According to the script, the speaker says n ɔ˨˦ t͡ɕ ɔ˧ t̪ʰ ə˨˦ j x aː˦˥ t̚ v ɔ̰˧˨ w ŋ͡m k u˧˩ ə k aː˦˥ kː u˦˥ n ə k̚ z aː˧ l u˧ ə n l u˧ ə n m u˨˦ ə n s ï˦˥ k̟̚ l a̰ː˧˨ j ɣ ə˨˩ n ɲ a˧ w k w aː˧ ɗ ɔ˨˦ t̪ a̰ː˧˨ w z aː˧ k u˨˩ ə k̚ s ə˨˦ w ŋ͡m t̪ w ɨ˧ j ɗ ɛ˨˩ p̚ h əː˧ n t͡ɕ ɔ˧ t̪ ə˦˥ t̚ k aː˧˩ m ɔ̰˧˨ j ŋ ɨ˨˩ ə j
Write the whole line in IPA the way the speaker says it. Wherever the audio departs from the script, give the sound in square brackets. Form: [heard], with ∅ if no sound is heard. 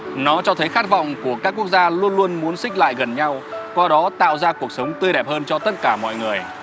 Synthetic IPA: n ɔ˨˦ t͡ɕ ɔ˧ t̪ʰ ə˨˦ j x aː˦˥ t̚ v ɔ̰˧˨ w ŋ͡m k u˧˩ ə k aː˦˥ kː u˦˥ [∅] ə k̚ z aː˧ l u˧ ə n l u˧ ə n m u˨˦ ə n s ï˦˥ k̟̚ l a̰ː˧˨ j ɣ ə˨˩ n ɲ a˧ w k w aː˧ ɗ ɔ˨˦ t̪ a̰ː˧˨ w z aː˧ k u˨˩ ə k̚ s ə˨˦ w ŋ͡m t̪ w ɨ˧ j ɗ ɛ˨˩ p̚ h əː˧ n t͡ɕ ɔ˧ t̪ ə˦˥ t̚ k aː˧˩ m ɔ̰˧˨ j ŋ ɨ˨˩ ə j